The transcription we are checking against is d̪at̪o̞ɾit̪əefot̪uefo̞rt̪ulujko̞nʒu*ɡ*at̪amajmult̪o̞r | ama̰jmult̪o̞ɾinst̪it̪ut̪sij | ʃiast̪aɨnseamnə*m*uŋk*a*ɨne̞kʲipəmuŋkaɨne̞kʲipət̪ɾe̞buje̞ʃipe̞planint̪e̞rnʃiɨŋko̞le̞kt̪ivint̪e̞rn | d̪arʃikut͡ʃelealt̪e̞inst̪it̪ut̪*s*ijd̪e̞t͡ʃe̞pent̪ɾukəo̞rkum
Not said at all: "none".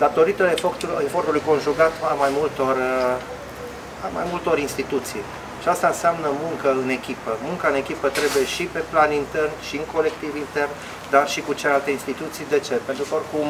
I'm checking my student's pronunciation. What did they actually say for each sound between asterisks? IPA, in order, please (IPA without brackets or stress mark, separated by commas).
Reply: ɡ, m, ə, s